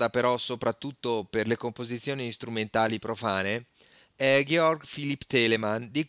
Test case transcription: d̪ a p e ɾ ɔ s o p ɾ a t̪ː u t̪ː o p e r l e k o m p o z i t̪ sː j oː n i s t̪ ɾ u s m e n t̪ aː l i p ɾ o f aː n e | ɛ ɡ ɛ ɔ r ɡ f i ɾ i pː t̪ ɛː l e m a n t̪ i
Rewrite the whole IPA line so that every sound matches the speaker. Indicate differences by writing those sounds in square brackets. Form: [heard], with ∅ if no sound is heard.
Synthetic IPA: d̪ a p e ɾ ɔ s o p ɾ a t̪ː u t̪ː o p e r l e k o m p o z i t̪ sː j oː n i s t̪ ɾ u [∅] m e n t̪ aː l i p ɾ o f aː n e | ɛ ɡ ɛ ɔ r ɡ f i [l] i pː t̪ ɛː l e m a n [d̪] i